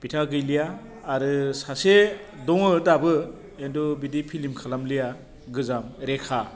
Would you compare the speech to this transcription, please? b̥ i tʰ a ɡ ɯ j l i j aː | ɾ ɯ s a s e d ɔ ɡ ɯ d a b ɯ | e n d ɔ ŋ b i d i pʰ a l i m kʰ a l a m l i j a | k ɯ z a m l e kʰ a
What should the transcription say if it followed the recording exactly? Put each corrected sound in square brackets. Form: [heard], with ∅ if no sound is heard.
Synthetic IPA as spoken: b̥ i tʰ a ɡ ɯ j l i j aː | ɾ ɯ s a s e d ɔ [ŋ] ɯ d a b ɯ | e n d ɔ [∅] b i d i pʰ [i] l i m kʰ a l a m l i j a | [ɡ] ɯ z a m [ɾ] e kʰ a